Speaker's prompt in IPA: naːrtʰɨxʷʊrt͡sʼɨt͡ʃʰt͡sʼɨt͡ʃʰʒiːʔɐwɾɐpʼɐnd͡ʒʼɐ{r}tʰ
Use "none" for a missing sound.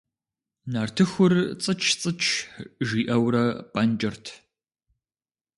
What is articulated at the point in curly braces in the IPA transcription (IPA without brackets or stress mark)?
r